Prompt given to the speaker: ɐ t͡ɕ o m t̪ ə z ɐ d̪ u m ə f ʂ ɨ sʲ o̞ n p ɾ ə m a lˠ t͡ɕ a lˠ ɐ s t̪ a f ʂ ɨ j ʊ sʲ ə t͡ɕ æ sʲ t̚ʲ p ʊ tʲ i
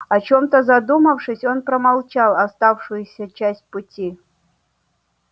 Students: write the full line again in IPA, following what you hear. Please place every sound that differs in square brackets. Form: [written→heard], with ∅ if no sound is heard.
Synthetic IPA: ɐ t͡ɕ o m t̪ ə z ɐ d̪ u m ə f ʂ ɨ sʲ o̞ n p ɾ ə m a lˠ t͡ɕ a lˠ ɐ s t̪ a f ʂ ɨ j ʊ sʲ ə t͡ɕ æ sʲ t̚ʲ p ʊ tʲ i